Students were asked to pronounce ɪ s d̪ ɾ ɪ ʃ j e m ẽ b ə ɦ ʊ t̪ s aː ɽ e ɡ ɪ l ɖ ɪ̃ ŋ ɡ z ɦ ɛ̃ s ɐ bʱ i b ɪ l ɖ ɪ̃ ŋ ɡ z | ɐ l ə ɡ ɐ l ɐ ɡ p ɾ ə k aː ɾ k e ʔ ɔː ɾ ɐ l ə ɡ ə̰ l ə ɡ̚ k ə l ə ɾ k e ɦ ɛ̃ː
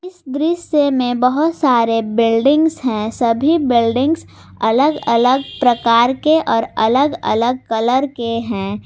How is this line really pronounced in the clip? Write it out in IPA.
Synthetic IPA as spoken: ɪ s d̪ ɾ ɪ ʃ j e m ẽ b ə ɦ ʊ t̪ s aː ɾ e b ɪ l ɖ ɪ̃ ŋ ɡ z ɦ ɛ̃ s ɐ bʱ i b ɪ l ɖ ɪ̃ ŋ ɡ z | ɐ l ə ɡ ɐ l ə ɡ p ɾ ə k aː ɾ k e ʔ ɔː ɾ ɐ l ə ɡ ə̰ l ə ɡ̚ k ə l ə ɾ k e ɦ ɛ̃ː